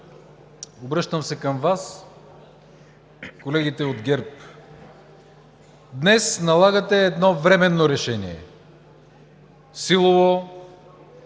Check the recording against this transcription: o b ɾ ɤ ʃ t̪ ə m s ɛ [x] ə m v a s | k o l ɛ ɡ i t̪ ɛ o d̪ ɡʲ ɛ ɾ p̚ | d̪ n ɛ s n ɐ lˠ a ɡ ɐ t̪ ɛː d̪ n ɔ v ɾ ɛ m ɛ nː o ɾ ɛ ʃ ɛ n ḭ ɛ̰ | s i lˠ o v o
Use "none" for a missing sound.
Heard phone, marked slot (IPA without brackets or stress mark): k